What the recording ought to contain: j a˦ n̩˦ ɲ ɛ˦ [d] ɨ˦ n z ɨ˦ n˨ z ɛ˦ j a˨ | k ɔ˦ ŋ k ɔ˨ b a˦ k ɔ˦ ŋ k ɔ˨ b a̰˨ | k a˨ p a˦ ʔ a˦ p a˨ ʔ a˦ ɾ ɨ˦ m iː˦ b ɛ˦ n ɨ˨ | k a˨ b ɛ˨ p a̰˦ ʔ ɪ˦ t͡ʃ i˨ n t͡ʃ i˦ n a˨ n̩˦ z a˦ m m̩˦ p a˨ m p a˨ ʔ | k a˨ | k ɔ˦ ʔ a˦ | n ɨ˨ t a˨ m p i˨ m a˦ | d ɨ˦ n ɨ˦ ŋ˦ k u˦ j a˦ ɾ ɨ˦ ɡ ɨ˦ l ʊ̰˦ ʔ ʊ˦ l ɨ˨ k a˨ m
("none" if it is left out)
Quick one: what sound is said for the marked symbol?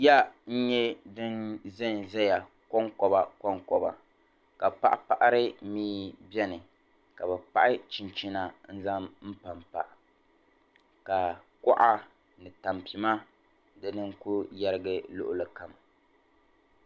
d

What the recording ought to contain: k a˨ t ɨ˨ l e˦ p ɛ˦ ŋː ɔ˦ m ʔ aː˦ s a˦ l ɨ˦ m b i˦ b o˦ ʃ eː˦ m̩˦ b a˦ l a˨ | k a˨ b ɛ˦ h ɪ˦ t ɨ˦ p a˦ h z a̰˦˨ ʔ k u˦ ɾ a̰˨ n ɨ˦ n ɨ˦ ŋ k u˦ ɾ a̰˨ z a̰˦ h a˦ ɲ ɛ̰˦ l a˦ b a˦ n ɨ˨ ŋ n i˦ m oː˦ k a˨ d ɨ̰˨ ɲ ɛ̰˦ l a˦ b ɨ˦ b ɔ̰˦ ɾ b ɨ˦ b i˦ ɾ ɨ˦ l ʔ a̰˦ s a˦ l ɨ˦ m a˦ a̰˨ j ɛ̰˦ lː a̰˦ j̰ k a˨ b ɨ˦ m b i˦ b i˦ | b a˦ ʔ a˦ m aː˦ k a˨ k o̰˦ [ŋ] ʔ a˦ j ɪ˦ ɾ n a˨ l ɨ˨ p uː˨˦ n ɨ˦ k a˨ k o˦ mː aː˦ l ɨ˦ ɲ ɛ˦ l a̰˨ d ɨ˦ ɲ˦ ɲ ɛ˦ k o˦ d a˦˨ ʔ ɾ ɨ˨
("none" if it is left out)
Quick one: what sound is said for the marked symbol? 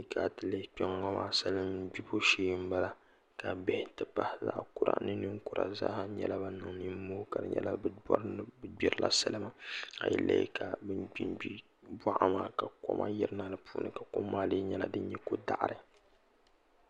m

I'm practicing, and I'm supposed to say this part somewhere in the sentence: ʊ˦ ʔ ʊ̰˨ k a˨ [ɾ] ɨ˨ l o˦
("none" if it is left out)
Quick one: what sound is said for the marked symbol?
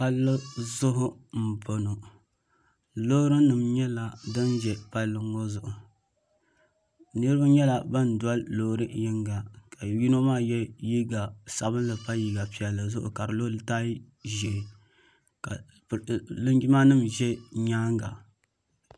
ɾ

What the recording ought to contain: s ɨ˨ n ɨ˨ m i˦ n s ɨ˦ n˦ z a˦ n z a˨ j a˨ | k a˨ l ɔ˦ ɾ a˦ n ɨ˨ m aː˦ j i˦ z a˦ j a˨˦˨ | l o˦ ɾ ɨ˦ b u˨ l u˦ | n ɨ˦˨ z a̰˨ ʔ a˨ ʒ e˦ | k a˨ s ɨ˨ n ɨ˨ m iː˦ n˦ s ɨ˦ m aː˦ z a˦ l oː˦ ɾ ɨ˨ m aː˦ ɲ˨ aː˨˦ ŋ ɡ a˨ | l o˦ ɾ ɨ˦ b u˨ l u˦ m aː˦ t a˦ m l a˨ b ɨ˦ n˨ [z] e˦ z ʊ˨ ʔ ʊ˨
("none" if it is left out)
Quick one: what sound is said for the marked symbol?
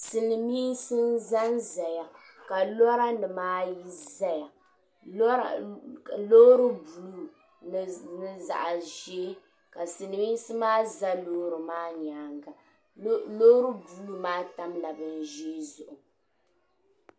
ʒ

